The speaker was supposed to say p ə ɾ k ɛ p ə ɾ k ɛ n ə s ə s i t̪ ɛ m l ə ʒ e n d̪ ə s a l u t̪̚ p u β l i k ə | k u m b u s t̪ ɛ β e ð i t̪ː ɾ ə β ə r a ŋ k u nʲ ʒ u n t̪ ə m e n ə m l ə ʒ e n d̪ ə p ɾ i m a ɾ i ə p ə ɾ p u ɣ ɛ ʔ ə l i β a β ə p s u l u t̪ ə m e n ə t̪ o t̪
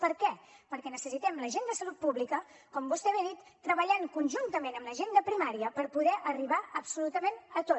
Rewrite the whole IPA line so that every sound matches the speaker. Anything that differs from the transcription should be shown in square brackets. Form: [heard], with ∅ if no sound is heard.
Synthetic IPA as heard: p ə ɾ k ɛ p ə ɾ k ɛ n ə s ə s i t̪ ɛ m l ə ʒ e n d̪ ə s [ə] l u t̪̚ p u β l i k ə | k [ɔ] m b u s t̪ ɛ β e ð i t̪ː ɾ ə β ə [ʎ] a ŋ k u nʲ ʒ u n t̪ ə m e n ə m l ə ʒ e n d̪ ə p ɾ i m a ɾ i ə p ə ɾ p u [ð] ɛ ʔ ə [r] i β a [∅] ə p s u l u t̪ ə m e n ə t̪ o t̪